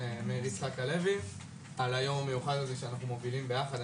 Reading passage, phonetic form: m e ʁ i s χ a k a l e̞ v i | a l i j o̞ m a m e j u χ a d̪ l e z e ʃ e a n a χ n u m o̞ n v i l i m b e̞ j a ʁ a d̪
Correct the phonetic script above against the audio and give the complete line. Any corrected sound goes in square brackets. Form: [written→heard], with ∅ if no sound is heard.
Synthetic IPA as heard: m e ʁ i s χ a k a l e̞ v i | a l [i→a] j o̞ m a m e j u χ a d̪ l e z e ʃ e a n a χ n u m o̞ [n→∅] v i l i m b e̞ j a [ʁ→χ] a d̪